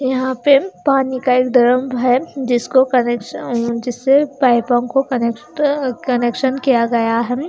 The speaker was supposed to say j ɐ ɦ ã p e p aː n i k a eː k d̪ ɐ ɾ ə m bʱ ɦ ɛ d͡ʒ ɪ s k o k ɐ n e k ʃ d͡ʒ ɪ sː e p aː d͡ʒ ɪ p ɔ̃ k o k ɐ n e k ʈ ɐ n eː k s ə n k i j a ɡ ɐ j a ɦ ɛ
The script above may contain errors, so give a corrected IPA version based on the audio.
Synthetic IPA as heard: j ɐ ɦ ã p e p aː n i k a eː k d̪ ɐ ɾ ə m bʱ ɦ ɛ d͡ʒ ɪ s k o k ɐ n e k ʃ d͡ʒ ɪ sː e p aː ɪ p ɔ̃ k o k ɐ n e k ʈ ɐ n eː k ʃ ə n k i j a ɡ ɐ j a ɦ ɛ